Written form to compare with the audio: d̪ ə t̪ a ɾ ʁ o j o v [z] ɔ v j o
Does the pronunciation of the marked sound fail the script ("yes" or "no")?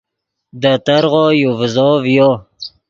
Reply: no